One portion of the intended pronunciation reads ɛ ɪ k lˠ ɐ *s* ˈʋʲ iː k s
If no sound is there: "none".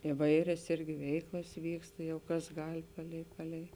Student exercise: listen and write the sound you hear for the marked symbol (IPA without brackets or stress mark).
s